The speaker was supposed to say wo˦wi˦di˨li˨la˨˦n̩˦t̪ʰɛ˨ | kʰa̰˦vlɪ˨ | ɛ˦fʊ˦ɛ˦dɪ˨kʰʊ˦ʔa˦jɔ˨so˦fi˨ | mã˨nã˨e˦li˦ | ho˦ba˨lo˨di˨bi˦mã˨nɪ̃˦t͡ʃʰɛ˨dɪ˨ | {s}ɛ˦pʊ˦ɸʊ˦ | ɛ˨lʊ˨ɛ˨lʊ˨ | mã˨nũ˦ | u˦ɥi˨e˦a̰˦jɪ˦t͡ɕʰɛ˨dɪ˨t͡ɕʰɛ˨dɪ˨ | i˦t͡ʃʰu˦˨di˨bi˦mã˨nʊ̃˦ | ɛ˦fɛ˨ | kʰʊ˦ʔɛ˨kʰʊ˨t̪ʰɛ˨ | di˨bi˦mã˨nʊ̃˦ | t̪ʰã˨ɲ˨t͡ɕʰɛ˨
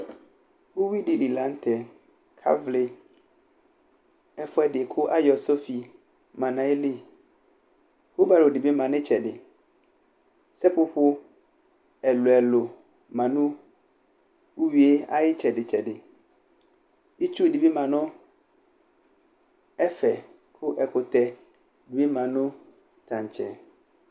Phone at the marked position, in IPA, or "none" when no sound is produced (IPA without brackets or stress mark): s